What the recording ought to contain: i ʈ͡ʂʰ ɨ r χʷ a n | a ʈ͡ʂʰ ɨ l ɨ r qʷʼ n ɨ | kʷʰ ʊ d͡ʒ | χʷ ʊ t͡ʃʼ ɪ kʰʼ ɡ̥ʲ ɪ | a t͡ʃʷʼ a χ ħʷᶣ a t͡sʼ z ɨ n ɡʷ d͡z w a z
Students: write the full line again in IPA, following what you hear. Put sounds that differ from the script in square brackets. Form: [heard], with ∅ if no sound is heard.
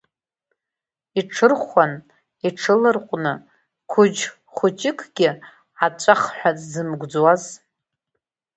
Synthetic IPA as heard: i ʈ͡ʂʰ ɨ r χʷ a n | [i] ʈ͡ʂʰ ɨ l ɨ r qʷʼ n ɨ | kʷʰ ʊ d͡ʒ | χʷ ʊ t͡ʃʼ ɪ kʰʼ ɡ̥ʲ ɪ | a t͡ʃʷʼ a χ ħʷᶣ a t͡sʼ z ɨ [m] ɡʷ d͡z w a z